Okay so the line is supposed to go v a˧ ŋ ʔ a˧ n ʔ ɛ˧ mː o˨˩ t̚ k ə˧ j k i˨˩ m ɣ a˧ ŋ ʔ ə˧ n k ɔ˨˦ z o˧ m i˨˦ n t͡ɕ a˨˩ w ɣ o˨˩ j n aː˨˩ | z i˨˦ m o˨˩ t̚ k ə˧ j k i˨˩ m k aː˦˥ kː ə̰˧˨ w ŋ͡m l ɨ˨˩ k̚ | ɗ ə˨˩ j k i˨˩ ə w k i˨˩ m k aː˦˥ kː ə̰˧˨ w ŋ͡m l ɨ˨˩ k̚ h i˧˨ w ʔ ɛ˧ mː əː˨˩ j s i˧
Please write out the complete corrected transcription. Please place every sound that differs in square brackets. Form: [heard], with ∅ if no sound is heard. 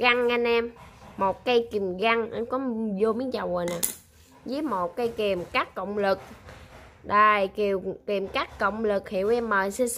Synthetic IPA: [ɣ] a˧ ŋ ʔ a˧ n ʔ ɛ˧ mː o˨˩ t̚ k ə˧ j k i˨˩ m ɣ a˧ ŋ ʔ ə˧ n k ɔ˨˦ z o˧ m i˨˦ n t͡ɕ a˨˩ w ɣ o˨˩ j n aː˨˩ | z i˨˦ m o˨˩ t̚ k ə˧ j k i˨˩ m k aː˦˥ kː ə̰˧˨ w ŋ͡m l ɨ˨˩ k̚ | ɗ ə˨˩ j k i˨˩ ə w k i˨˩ m k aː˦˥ kː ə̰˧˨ w ŋ͡m l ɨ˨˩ k̚ h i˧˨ w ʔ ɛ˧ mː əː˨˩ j s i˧